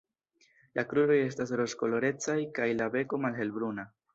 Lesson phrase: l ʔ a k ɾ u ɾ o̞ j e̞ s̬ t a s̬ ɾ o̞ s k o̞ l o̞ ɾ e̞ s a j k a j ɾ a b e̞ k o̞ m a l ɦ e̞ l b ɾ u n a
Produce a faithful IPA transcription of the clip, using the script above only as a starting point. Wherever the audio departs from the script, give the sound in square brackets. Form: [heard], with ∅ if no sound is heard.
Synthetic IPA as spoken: l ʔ a k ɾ u ɾ o̞ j e̞ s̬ t a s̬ ɾ o̞ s k o̞ l o̞ ɾ e̞ [t͡s] a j k a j [l] a b e̞ k o̞ m a l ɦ e̞ l b ɾ u n a